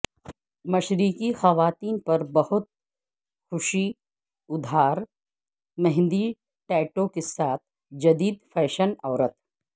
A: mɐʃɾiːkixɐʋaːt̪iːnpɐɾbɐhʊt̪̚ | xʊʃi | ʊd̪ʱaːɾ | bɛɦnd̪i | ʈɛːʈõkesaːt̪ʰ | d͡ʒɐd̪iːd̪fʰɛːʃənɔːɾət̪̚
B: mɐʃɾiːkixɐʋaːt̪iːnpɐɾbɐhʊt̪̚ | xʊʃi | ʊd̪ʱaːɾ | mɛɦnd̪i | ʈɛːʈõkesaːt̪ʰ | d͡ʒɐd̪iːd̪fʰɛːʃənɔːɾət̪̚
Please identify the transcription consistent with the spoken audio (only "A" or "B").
B